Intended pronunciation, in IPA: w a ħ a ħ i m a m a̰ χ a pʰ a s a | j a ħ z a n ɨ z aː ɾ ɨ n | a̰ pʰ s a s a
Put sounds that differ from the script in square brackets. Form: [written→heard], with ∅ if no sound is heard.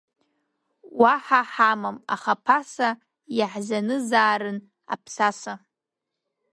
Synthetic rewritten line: w a ħ a ħ [i→a] m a m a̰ χ a pʰ a s a | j a ħ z a n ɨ z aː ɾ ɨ n | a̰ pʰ s a s a